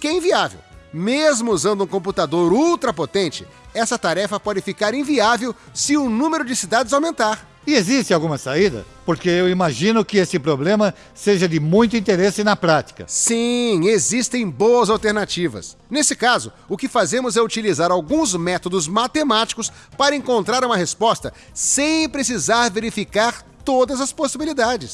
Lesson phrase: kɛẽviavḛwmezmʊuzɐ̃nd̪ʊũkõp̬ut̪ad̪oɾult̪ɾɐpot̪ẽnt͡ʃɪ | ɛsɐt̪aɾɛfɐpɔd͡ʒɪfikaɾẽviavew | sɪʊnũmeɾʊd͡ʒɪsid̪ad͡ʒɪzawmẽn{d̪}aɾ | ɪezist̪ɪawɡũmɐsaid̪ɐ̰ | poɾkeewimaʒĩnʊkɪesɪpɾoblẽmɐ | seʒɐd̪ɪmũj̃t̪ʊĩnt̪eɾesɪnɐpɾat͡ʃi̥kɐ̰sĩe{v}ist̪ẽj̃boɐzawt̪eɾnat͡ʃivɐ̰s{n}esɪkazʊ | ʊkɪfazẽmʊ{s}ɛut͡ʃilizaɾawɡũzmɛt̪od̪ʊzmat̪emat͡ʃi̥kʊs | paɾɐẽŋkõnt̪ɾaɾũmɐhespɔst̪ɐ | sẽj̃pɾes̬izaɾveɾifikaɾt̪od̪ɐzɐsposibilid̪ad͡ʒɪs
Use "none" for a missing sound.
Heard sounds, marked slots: t̪, z, n, z

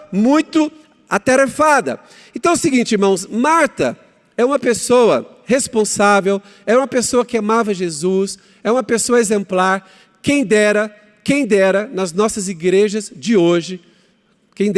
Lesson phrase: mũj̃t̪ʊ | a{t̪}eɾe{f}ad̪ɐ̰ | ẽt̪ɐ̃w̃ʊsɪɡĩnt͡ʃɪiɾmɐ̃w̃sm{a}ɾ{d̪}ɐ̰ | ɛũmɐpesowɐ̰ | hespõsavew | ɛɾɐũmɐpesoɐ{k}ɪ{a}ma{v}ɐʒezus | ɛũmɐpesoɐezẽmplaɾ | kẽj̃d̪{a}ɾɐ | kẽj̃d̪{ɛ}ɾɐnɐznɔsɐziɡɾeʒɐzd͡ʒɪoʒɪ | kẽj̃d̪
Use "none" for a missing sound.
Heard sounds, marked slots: t̪, f, a, t̪, k, a, v, ɛ, ɛ

